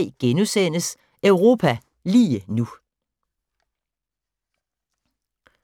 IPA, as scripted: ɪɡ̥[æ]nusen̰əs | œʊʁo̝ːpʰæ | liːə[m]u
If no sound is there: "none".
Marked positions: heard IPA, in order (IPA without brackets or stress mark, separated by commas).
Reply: e, n